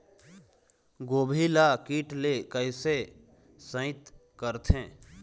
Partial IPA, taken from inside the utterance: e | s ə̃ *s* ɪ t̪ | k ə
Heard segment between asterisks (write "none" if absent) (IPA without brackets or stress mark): none